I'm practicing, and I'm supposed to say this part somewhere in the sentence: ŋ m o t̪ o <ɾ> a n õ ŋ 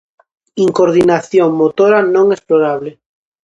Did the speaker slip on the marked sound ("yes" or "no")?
no